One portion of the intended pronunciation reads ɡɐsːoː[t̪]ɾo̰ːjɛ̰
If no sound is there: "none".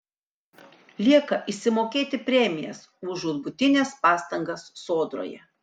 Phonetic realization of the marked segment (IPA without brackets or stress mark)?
d̪